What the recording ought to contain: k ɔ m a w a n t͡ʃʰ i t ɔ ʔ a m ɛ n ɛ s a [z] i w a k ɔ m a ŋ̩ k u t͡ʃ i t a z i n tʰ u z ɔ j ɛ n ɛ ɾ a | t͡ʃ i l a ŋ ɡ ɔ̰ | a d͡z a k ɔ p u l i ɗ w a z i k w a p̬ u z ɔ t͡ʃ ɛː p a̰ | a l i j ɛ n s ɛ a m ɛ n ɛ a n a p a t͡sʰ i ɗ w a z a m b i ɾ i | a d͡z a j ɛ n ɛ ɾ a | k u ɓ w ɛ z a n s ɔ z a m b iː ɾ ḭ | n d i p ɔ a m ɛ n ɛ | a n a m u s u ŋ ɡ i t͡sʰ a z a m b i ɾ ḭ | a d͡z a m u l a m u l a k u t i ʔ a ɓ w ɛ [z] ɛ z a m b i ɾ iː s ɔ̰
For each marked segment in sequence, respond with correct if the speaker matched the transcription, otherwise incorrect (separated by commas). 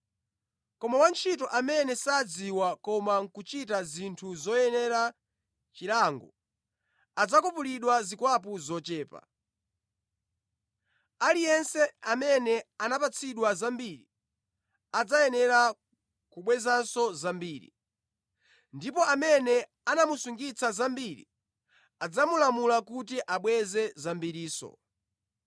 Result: incorrect, correct